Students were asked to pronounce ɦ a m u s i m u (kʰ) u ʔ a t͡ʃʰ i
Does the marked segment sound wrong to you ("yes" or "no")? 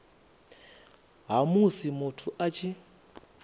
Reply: yes